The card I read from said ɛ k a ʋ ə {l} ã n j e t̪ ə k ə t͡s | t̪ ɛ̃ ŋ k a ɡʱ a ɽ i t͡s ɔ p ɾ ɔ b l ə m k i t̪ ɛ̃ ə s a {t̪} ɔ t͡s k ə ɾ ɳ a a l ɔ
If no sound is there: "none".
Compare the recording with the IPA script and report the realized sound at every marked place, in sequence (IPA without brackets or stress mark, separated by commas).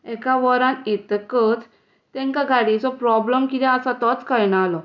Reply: ɾ, t̪